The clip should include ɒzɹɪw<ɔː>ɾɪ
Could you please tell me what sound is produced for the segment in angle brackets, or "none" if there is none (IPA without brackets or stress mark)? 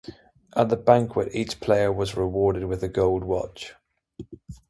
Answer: ɔː